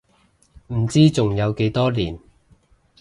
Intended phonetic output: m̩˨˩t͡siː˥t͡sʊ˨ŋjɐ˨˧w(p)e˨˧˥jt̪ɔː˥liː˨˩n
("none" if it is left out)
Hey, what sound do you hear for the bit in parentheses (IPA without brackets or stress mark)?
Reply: k